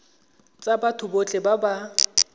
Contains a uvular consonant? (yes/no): no